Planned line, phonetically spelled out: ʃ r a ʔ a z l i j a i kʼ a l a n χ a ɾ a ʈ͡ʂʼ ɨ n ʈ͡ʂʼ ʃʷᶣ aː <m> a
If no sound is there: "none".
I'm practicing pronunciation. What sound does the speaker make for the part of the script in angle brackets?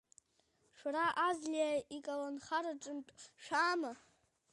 m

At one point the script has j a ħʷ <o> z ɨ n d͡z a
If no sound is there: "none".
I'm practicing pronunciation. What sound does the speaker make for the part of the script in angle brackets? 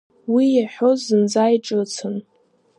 o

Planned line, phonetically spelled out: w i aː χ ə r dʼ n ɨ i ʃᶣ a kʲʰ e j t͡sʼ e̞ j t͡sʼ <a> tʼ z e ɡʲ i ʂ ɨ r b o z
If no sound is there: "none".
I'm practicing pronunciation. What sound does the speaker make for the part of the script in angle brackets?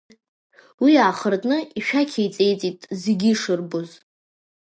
i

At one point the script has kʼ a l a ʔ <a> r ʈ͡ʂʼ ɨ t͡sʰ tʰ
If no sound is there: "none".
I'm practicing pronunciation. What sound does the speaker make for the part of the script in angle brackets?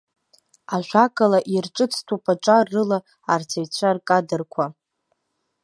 i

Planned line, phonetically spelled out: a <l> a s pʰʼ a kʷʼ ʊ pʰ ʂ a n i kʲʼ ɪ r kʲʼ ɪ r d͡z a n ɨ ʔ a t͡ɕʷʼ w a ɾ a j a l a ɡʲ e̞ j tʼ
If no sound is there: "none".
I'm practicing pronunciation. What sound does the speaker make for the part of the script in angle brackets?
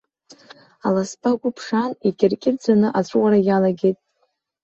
l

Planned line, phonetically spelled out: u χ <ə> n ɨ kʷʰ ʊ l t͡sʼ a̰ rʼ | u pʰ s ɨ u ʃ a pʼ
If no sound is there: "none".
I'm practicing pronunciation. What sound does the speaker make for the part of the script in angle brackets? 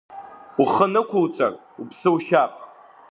ə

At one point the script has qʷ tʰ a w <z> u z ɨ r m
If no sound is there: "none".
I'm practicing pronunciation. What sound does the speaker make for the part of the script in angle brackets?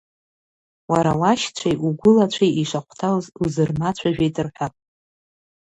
z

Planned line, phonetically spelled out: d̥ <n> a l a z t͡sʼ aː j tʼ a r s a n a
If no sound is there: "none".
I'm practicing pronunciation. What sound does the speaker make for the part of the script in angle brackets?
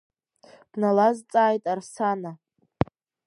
n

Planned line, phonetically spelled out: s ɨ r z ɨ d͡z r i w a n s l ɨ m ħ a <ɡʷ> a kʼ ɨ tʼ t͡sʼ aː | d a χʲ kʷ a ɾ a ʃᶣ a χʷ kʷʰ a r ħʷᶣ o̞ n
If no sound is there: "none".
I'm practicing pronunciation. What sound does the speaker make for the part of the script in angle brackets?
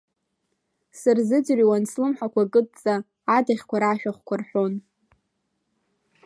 kʷ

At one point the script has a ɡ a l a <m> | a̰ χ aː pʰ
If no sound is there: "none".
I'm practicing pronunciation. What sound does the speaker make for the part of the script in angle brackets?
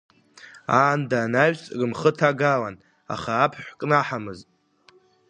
n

